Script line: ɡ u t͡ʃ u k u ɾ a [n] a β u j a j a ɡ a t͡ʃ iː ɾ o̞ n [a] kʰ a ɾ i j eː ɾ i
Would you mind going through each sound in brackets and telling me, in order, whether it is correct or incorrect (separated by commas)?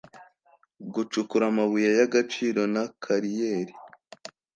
incorrect, correct